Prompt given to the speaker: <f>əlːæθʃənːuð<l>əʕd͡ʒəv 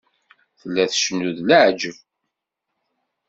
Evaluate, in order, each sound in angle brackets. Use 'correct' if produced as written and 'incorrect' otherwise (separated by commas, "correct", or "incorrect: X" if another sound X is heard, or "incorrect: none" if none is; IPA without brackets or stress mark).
incorrect: θ, correct